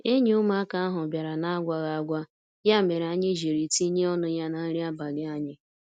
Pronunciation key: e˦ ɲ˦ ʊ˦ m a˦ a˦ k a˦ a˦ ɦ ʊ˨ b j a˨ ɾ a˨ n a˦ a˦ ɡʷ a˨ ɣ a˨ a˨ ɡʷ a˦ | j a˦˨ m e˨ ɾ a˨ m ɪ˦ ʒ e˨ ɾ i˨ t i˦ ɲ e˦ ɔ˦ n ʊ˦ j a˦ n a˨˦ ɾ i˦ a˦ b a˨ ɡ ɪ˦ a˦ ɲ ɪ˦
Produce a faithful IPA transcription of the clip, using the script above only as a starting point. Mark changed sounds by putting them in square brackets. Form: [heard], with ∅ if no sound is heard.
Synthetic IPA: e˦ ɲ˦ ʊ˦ m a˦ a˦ k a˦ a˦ ɦ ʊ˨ b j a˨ ɾ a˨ n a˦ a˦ ɡʷ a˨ ɣ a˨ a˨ ɡʷ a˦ | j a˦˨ m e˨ ɾ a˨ [ɲ] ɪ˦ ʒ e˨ ɾ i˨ t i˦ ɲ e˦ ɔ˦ n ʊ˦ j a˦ n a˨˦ ɾ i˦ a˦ b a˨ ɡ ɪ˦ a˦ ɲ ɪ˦